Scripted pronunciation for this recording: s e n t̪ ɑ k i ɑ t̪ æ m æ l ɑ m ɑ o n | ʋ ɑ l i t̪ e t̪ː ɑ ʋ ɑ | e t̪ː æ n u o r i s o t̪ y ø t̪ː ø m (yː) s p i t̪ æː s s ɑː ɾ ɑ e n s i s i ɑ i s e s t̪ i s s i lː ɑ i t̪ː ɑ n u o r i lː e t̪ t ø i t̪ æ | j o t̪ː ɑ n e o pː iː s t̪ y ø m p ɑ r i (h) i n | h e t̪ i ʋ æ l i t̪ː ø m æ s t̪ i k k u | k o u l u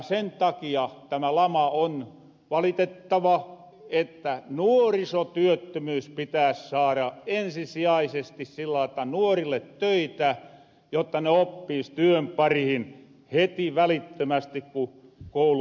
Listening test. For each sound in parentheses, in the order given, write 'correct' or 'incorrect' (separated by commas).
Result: correct, correct